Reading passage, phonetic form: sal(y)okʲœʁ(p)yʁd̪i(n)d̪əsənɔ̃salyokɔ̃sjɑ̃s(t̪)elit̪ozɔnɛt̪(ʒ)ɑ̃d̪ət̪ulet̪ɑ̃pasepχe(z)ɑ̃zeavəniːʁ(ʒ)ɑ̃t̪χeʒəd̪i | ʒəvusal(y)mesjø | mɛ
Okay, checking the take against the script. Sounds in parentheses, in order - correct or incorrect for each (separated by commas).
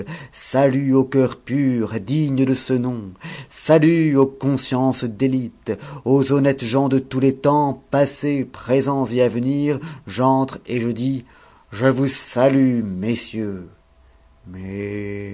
correct, correct, incorrect, incorrect, correct, correct, correct, correct